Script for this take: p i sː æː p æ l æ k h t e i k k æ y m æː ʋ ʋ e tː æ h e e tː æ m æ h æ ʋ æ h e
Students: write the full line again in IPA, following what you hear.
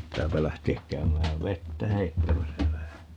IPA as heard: p i tː æː p æ l æ h t e æ k k æ y m æː ʋ ʋ e tː æ h e i tː æ m æ s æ ʋ æ h æ